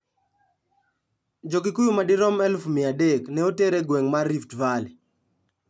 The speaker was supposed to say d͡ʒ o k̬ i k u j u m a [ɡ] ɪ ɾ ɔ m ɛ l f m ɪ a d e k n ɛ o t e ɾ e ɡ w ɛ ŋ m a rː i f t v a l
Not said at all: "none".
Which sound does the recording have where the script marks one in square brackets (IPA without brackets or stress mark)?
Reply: d